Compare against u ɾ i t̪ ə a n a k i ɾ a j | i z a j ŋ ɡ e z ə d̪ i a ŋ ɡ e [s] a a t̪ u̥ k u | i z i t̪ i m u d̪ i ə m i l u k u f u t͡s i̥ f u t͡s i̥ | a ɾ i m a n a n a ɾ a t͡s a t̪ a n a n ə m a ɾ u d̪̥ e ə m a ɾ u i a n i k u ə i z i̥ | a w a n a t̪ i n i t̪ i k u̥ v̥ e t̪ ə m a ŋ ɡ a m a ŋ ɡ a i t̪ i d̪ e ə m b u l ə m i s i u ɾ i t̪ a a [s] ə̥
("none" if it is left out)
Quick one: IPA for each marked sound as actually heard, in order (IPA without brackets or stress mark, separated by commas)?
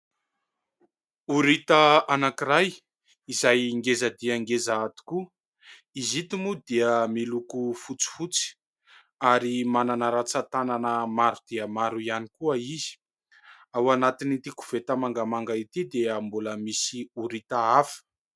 z, f